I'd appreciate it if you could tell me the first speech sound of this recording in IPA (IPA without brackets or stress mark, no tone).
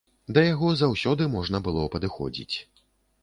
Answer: d̪